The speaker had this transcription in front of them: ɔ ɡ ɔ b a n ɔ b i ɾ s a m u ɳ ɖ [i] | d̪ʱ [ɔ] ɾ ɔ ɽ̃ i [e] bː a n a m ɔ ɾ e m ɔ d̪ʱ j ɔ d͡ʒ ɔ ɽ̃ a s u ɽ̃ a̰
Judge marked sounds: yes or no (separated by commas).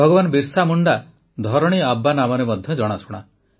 no, yes, no